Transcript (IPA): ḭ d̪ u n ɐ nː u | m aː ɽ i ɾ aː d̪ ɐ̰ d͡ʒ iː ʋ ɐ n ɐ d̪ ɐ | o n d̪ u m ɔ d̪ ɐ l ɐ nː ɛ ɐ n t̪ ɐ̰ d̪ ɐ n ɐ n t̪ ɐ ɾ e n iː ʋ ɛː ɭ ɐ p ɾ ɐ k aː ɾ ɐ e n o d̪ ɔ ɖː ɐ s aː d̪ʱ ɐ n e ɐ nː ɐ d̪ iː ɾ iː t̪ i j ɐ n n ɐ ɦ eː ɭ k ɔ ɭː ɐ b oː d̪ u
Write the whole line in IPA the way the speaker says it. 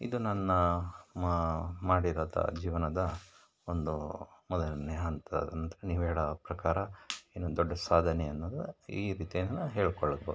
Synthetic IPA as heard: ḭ d̪ u n ɐ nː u | m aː ɽ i ɾ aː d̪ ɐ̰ d͡ʒ iː ʋ ɐ n ɐ d̪ ɐ | o n d̪ u m ɔ d̪ ɐ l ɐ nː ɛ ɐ n t̪ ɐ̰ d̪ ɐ n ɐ n t̪ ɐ ɾ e n iː ʋ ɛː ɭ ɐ p ɾ ɐ k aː ɾ ɐ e n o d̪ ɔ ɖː ɐ s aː d̪ʱ ɐ n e ɐ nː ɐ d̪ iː ɾ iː t̪ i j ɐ n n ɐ ɦ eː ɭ k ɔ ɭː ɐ b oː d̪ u

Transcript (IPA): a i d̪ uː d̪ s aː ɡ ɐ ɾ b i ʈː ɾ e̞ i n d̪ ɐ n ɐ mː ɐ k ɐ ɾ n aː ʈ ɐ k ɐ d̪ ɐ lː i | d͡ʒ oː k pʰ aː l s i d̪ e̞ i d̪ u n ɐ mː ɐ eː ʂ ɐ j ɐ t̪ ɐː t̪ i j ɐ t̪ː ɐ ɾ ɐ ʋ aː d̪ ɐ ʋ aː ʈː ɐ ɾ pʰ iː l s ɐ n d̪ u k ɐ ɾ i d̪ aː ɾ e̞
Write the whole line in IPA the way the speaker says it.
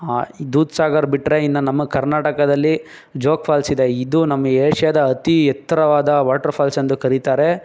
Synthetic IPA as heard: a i d̪ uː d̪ s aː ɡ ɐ ɾ b i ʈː ɾ e̞ i n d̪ ɐ n ɐ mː ɐ k ɐ ɾ n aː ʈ ɐ k ɐ d̪ ɐ lː i | d͡ʒ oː k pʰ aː l s i d̪ e̞ i d̪ u n ɐ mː ɐ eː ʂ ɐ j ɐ d̪ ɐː t̪ i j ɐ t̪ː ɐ ɾ ɐ ʋ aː d̪ ɐ ʋ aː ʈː ɐ ɾ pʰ aː l s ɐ n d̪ u k ɐ ɾ i t̪ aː ɾ e̞

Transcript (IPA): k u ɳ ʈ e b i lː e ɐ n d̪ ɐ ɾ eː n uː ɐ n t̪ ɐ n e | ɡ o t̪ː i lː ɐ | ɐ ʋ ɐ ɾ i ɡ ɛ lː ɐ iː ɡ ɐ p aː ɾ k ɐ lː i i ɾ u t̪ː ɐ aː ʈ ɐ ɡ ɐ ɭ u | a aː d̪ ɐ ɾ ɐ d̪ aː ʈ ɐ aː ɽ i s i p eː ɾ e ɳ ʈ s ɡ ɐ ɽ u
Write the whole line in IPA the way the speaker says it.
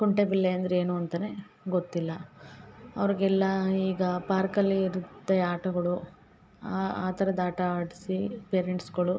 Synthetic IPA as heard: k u ɳ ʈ e b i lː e ɐ n d̪ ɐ ɾ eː n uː ɐ n t̪ ɐ n e | ɡ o t̪ː i lː ɐ | ɐ ʋ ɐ ɾ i ɡ ɛ lː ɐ iː ɡ ɐ p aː ɾ k ɐ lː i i ɾ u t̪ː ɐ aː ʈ ɐ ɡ ɐ ɭ u | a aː t̪ ɐ ɾ ɐ d̪ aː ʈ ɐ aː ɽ i s i p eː ɾ e ɳ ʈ s ɡ ɐ ɭ u

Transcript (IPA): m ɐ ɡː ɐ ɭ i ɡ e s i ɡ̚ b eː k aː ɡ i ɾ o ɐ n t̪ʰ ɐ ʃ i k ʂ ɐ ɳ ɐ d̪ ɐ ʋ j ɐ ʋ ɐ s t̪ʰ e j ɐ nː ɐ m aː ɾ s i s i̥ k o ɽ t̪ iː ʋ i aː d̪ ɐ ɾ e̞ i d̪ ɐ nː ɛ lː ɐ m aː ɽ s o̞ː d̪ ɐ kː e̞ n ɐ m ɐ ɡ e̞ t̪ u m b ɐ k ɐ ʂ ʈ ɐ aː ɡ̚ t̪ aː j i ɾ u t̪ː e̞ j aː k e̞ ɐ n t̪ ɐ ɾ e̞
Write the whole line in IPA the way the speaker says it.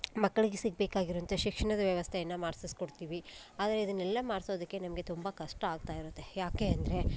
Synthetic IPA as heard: m ɐ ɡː ɐ ɭ i ɡ e s i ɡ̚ b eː k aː ɡ i ɾ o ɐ n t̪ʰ ɐ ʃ i k ʂ ɐ ɳ ɐ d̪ ɐ ʋ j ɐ ʋ ɐ s t̪ʰ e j ɐ nː ɐ m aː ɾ s i s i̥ k o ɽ t̪ iː ʋ i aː d̪ ɐ ɾ e̞ i d̪ ɐ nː ɛ lː ɐ m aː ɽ s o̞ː d̪ ɐ kː e̞ n ɐ m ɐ ɡ e̞ t̪ u m b ɐ k ɐ ʂ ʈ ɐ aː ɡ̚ t̪ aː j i ɾ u t̪ː e̞ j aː k e̞ ɐ n d̪ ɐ ɾ e̞

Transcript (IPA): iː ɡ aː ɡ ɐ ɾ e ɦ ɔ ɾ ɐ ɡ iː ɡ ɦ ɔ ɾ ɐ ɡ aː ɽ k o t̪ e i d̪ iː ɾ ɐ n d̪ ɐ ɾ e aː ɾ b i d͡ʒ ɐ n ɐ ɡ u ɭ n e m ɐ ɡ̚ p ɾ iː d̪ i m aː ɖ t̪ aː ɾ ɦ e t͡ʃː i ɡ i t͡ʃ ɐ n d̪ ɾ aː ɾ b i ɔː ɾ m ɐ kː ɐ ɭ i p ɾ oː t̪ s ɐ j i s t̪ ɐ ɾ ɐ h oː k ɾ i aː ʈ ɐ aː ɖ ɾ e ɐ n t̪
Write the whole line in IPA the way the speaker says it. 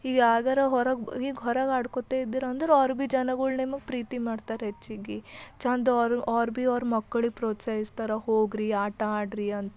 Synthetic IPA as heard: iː ɡ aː ɡ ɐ ɾ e ɦ ɔ ɾ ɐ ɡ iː ɡ ɦ ɔ ɾ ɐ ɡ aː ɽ k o t̪ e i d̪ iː ɾ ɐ n d̪ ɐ ɾ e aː ɾ b i d͡ʒ ɐ n ɐ ɡ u ɭ n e m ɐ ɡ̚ p ɾ iː t̪ i m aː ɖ t̪ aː ɾ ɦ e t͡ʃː i ɡ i t͡ʃ ɐ n d̪ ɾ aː ɾ b i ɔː ɾ m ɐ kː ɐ ɭ i p ɾ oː t̪ s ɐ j i s t̪ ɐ ɾ ɐ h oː ɡ ɾ i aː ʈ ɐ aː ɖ ɾ i ɐ n t̪

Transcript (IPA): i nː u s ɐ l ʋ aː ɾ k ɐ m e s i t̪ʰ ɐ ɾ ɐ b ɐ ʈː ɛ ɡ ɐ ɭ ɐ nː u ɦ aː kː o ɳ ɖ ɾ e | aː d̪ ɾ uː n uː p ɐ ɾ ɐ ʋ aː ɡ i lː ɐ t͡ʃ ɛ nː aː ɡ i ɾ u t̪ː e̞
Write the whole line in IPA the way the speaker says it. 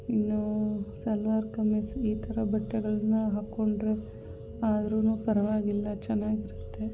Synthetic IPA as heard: i nː u s ɐ l ʋ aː ɾ k ɐ m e s iː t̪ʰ ɐ ɾ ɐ b ɐ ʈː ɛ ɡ ɐ ɭ ɐ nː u ɦ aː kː o ɳ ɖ ɾ e | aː d̪ ɾ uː n uː p ɐ ɾ ɐ ʋ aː ɡ i lː ɐ t͡ʃ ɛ nː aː ɡ i ɾ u t̪ː e̞

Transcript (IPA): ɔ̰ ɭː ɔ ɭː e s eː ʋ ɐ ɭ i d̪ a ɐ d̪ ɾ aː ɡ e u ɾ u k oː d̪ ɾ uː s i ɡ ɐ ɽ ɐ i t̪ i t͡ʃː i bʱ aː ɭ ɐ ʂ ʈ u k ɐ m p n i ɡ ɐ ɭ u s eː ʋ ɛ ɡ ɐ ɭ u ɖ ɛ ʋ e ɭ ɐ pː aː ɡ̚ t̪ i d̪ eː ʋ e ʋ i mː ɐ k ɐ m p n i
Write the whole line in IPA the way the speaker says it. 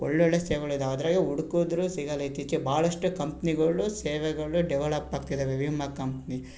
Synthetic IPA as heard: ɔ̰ ɭː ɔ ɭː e s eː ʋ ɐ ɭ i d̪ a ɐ d̪ ɾ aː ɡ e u ɽ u k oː d̪ ɾ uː s i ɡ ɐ l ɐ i t̪ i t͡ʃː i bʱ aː ɭ ɐ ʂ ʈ u k ɐ m p n i ɡ ɐ ɭ u s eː ʋ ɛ ɡ ɐ ɭ u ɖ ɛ ʋ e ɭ ɐ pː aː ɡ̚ t̪ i d̪ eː ʋ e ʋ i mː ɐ k ɐ m p n i

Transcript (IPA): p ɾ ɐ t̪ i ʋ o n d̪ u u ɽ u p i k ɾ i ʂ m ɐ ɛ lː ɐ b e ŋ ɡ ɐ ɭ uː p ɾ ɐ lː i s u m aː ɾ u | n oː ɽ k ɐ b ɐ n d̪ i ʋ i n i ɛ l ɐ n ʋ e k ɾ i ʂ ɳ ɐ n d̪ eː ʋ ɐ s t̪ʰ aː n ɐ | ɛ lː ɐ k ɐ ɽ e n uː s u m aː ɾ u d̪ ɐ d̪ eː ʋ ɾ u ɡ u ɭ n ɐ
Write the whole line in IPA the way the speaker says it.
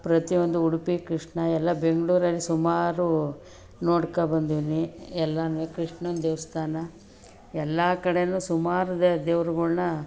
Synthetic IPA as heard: p ɾ ɐ t̪ i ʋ o n d̪ u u ɽ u p i k ɾ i ʂ ɳ ɐ ɛ lː ɐ b e ŋ ɡ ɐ ɭ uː ɾ ɐ lː i s u m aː ɾ u | n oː ɽ k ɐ b ɐ n d̪ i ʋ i n i ɛ lː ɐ n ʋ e k ɾ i ʂ ɳ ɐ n d̪ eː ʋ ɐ s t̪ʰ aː n ɐ | ɛ lː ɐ k ɐ ɽ e n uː s u m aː ɾ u d̪ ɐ d̪ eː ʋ ɾ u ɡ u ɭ n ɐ

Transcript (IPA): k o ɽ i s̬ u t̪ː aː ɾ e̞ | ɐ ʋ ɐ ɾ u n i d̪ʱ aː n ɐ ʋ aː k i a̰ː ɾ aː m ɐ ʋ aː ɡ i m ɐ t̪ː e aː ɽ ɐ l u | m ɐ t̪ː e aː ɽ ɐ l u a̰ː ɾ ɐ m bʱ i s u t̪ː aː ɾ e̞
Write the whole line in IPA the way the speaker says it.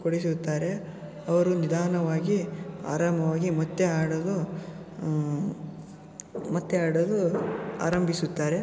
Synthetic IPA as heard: k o ɽ i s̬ u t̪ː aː ɾ e̞ | ɐ ʋ ɐ ɾ u n i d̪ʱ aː n ɐ ʋ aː ɡ i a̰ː ɾ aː m ɐ ʋ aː ɡ i m ɐ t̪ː e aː ɽ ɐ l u | m ɐ t̪ː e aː ɽ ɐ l u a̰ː ɾ ɐ m bʱ i s u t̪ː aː ɾ e̞

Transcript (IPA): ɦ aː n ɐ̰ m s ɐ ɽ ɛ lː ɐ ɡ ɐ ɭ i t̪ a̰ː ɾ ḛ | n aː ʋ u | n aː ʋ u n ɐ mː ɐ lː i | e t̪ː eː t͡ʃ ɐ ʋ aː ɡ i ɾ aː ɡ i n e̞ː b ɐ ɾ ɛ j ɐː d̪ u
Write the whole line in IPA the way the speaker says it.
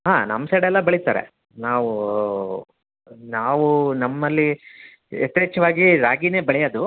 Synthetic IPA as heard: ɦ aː n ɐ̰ m s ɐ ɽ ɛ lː ɐ b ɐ ɭ i t̪ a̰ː ɾ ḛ | n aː ʋ u | n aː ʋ u n ɐ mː ɐ lː i | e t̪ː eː t͡ʃ ɐ ʋ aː ɡ i ɾ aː ɡ i n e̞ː b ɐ ɭ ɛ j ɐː d̪ u

